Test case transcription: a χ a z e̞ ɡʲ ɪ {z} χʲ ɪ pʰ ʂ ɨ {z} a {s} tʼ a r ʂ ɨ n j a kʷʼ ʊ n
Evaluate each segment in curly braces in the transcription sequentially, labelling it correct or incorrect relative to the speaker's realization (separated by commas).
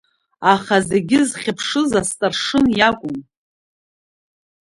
correct, correct, correct